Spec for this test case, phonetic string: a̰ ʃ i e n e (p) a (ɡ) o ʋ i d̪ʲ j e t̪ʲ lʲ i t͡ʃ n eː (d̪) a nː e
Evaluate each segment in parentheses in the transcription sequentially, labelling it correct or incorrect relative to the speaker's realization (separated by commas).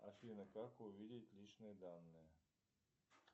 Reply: incorrect, incorrect, correct